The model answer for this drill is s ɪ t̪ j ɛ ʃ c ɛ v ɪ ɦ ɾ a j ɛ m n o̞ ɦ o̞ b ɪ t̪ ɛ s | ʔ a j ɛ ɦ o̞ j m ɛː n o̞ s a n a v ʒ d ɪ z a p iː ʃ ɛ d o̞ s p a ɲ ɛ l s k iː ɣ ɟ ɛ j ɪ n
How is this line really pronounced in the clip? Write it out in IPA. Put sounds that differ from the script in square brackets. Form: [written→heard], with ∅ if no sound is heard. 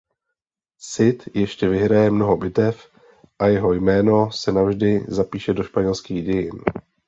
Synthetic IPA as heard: s ɪ t̪ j ɛ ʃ c ɛ v ɪ ɦ ɾ a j ɛ m n o̞ ɦ o̞ b ɪ t̪ ɛ [s→f] | ʔ a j ɛ ɦ o̞ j m ɛː n o̞ s [a→ɛ] n a v ʒ d ɪ z a p iː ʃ ɛ d o̞ [s→ʃ] p a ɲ ɛ l s k iː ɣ ɟ ɛ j ɪ n